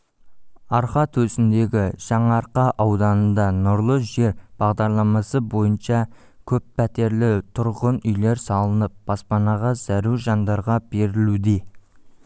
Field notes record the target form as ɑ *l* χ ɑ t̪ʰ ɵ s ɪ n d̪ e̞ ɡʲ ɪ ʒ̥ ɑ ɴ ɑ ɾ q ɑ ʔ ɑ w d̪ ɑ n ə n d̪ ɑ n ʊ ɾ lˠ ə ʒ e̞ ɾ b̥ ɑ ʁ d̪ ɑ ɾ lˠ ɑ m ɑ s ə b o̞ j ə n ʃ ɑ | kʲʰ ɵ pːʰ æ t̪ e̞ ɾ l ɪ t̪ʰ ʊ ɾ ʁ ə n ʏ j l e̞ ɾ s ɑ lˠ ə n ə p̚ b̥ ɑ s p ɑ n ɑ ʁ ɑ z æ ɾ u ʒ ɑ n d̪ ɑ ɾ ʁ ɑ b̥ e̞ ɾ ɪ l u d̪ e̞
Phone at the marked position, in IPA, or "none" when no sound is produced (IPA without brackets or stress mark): ɾ